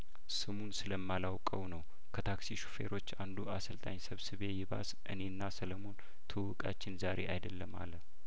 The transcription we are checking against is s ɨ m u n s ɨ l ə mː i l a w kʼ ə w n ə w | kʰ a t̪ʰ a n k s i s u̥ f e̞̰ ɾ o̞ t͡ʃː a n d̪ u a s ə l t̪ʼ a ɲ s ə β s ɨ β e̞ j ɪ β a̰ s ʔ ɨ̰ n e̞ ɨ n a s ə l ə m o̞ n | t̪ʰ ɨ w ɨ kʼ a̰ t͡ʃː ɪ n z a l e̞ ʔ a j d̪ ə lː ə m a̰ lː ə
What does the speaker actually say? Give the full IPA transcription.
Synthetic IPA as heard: s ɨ m u n s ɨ l ə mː a l a w kʼ ə w n ə w | kʰ ə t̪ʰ a k s i ʃ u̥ f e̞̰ ɾ o̞ t͡ʃː a n d̪ u a s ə l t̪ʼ a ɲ s ə β s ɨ β e̞ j ɪ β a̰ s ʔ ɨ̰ n e̞ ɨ nː a s ə l ə m o̞ n | t̪ʰ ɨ w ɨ kʼ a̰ t͡ʃː ɪ n z a ɾ e̞ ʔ a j d̪ ə lː ə m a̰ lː ə